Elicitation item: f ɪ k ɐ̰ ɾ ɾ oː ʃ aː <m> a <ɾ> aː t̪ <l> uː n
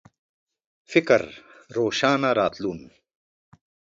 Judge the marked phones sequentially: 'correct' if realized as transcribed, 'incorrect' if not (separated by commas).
incorrect, correct, correct